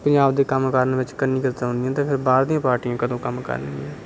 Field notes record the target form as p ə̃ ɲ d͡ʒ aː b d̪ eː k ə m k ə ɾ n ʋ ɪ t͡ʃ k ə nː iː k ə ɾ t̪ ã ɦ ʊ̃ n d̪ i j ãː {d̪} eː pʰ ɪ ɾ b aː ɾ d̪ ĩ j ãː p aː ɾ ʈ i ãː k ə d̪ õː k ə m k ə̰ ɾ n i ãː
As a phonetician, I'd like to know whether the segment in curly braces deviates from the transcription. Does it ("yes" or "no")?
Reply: yes